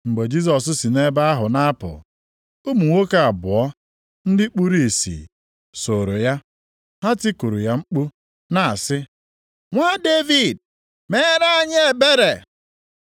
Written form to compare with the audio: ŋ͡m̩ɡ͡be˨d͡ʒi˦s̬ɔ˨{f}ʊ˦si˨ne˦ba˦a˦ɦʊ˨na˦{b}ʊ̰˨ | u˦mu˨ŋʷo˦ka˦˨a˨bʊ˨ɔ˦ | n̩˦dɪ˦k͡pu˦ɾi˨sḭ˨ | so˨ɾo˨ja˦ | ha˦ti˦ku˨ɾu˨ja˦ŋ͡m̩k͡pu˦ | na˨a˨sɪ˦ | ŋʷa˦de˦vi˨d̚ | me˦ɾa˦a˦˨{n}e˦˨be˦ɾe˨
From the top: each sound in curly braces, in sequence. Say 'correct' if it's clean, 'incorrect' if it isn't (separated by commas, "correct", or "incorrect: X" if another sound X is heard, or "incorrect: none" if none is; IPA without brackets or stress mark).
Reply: incorrect: s, incorrect: p, incorrect: ɲ